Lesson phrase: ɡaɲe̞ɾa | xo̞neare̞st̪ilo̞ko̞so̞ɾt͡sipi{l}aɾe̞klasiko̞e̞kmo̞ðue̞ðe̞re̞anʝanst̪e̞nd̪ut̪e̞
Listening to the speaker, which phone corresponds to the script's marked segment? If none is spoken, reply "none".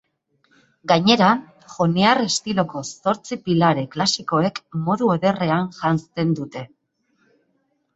l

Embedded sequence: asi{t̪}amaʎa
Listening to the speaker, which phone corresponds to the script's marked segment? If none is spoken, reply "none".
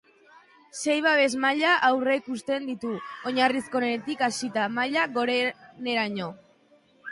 t̪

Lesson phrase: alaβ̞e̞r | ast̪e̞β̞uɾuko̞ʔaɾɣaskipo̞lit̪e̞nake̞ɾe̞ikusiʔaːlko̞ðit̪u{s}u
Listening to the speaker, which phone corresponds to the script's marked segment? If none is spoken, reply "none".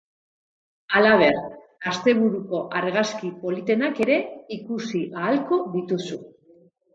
s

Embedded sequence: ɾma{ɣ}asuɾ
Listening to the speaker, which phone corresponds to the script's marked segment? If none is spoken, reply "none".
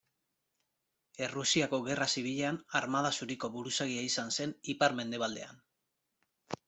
ð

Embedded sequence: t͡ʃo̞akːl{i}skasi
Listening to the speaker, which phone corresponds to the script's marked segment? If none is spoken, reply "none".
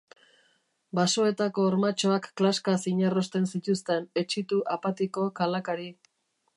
a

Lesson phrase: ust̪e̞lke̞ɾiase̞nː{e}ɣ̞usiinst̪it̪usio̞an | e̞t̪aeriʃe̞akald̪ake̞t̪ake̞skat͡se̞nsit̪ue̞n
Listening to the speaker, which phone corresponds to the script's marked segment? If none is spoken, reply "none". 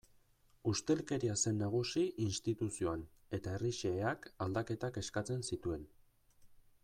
a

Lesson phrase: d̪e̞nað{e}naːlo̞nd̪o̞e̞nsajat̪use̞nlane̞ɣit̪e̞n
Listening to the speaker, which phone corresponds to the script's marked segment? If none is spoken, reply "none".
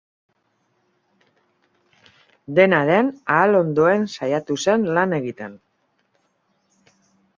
e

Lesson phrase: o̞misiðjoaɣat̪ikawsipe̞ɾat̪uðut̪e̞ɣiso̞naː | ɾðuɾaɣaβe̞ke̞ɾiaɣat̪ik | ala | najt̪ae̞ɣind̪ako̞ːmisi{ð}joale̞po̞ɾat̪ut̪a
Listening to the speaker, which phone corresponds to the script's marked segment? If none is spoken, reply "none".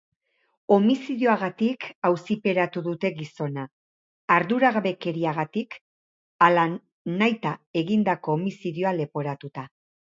ð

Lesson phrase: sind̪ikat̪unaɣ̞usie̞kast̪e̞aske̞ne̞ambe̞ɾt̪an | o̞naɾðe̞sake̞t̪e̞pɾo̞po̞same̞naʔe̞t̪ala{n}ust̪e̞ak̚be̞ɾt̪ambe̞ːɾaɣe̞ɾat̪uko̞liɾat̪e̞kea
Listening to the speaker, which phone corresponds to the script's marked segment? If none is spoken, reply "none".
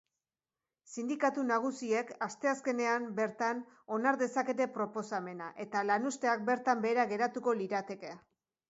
n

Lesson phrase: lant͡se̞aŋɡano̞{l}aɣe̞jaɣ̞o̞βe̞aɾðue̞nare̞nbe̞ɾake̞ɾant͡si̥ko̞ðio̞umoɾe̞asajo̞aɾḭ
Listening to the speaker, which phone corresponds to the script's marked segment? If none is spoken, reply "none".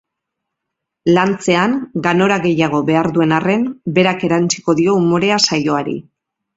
ɾ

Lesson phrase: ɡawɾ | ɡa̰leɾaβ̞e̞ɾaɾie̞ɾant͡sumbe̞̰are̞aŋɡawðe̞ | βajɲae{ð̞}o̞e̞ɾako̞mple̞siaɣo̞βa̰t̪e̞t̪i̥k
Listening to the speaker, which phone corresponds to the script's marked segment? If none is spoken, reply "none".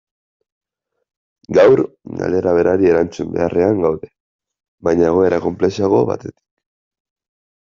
ɣ̞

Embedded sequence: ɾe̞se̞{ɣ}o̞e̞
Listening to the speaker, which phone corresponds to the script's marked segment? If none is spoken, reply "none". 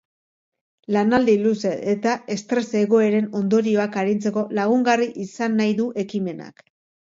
ɣ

